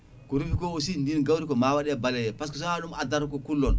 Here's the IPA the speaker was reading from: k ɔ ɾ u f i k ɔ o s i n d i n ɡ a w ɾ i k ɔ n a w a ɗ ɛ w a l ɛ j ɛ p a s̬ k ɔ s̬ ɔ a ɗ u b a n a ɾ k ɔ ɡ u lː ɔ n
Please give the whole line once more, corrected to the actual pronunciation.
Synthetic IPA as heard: k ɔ ɾ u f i k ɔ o s i n d i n ɡ a w ɾ i k ɔ m a w a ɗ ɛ b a l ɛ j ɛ p a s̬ k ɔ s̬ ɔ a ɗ u m a d a ɾ k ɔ k u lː ɔ n